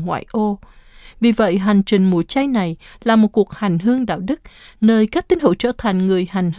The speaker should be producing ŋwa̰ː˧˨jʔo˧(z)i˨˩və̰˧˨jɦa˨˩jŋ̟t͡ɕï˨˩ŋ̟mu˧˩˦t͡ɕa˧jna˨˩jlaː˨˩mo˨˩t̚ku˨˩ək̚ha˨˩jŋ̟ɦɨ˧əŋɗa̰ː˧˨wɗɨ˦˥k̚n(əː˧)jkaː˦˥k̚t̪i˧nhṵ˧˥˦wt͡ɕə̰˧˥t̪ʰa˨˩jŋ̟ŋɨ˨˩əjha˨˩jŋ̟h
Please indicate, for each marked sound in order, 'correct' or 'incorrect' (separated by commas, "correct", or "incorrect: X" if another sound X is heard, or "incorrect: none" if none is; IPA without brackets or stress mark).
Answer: incorrect: v, correct